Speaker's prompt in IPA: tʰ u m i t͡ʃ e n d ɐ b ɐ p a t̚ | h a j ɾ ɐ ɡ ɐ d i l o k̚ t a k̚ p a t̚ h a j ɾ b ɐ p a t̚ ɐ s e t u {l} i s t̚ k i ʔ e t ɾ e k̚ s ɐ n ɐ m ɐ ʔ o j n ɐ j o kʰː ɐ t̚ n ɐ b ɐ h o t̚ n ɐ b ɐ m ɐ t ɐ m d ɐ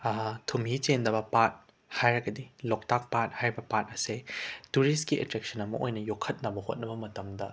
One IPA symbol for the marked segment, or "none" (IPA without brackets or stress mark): ɾ